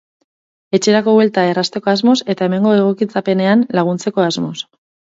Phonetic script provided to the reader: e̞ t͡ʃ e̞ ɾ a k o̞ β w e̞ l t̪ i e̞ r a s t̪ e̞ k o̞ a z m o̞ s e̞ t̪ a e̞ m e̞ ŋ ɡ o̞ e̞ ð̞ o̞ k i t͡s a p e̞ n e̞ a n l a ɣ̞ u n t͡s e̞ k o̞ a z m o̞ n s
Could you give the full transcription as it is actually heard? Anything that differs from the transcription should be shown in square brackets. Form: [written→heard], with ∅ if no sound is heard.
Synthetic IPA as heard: e̞ t͡ʃ e̞ ɾ a k o̞ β w e̞ l t̪ [i→a] e̞ r a s t̪ e̞ k o̞ a z m o̞ s e̞ t̪ a e̞ m e̞ ŋ ɡ o̞ e̞ [ð̞→ɣ̞] o̞ k i t͡s a p e̞ n e̞ a n l a ɣ̞ u n t͡s e̞ k o̞ a z m o̞ [n→∅] s